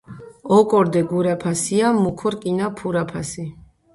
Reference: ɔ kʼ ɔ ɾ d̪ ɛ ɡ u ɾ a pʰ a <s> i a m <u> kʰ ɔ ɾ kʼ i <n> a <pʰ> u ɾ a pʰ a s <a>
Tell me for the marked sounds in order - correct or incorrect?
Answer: correct, correct, correct, correct, incorrect

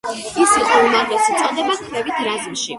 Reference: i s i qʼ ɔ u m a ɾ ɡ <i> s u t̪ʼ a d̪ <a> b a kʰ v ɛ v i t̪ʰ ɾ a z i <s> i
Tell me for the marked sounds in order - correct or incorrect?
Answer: incorrect, incorrect, incorrect

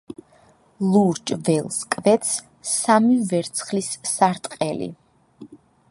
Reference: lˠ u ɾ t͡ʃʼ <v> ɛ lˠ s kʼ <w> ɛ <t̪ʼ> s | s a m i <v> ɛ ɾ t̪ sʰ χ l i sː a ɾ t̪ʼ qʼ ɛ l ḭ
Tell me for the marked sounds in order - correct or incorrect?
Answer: correct, incorrect, incorrect, correct

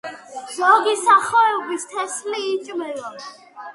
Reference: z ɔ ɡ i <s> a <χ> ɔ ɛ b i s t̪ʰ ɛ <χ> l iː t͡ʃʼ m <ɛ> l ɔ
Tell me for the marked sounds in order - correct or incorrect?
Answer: correct, correct, incorrect, correct

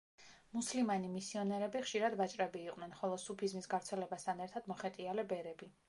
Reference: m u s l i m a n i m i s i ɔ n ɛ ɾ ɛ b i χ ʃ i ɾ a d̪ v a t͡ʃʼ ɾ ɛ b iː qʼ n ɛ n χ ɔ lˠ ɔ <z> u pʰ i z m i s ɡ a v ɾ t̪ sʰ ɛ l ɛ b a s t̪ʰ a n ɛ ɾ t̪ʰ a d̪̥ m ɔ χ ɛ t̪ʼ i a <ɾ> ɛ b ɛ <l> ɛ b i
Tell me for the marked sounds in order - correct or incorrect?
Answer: incorrect, incorrect, incorrect

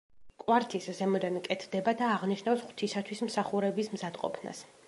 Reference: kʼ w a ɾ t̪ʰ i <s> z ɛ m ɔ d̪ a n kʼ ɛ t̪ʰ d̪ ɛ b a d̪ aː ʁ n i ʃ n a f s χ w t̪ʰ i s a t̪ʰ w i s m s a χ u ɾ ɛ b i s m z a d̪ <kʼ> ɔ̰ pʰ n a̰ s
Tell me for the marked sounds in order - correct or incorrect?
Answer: correct, incorrect

